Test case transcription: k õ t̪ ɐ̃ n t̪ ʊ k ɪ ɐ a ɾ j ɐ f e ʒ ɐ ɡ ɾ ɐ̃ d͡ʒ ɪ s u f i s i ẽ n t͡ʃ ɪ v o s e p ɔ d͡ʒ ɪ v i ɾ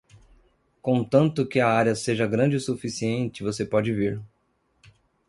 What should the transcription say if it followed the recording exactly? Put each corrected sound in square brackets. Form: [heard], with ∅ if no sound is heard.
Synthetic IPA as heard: k õ t̪ ɐ̃ n t̪ ʊ k ɪ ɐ a ɾ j ɐ [s] e ʒ ɐ ɡ ɾ ɐ̃ d͡ʒ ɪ s u f i s i ẽ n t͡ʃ ɪ v o s e p ɔ d͡ʒ ɪ v i ɾ